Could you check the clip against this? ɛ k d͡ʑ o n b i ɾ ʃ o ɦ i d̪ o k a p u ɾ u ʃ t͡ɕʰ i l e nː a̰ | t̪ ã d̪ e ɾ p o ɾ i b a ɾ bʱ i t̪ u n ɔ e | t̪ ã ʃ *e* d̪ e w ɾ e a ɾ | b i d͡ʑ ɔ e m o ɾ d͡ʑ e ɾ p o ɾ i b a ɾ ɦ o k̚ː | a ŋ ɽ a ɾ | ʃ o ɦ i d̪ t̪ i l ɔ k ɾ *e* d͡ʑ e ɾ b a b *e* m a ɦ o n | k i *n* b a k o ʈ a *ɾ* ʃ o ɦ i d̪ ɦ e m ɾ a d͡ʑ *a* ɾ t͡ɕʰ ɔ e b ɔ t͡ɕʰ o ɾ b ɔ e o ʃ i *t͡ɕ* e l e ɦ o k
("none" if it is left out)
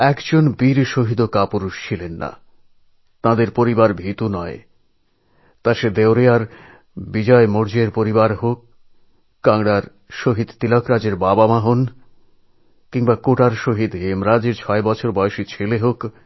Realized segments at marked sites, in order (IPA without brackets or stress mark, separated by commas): e, a, a, ŋ, ɾ, e, t͡ɕʰ